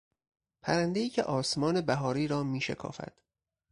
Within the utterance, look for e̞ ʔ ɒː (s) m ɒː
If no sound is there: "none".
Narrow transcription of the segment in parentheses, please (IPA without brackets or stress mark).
s